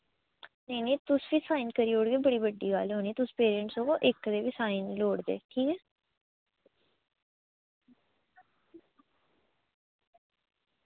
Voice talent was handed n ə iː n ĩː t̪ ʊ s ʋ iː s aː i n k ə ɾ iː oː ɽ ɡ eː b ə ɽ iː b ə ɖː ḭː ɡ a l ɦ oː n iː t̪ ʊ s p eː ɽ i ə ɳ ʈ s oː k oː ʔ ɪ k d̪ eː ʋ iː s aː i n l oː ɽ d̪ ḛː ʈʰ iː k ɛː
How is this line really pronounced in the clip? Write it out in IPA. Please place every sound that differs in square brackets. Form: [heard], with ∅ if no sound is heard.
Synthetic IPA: n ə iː n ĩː t̪ ʊ s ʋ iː s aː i n k ə ɾ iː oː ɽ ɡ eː b ə ɽ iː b ə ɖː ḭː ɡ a l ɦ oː n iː t̪ ʊ s p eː [ɾ] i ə ɳ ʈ s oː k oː ʔ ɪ k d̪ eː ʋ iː s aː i n l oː ɽ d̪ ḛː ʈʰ iː k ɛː